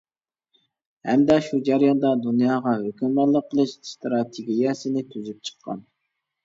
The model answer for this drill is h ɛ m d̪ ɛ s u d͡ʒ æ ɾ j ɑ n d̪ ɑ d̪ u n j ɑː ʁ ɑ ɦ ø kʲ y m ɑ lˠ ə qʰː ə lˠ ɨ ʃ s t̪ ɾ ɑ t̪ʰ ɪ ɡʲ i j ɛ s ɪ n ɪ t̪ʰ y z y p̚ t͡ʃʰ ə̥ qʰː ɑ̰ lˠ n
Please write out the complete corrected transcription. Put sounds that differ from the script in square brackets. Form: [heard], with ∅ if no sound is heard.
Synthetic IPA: h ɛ m d̪ ɛ [ʃ] u d͡ʒ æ ɾ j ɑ n d̪ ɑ d̪ u n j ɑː ʁ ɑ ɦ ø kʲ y m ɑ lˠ ə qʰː ə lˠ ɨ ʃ s t̪ ɾ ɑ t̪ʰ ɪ ɡʲ i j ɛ s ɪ n ɪ t̪ʰ y z y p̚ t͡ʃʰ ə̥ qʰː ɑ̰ [∅] n